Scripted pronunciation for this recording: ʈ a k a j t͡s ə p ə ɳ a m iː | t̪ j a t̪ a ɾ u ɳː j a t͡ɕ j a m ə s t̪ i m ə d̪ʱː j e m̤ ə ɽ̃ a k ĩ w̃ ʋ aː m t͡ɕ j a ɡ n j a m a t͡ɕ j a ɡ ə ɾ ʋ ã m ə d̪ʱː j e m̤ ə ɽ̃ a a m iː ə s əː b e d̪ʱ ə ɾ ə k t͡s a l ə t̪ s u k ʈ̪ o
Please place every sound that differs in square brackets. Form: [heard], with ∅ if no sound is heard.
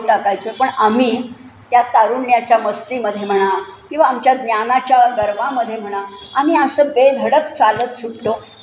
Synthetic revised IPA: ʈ a k a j t͡s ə p ə ɳ a m iː | t̪ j a t̪ a ɾ u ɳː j a t͡ɕ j a m ə s t̪ i m ə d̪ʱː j e m̤ ə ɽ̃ a k ĩ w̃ ʋ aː m t͡ɕ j a ɡ n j a [n] a t͡ɕ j a ɡ ə ɾ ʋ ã m ə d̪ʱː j e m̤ ə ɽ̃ a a m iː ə s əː b e d̪ʱ ə [ɽ] ə k t͡s a l ə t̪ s u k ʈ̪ o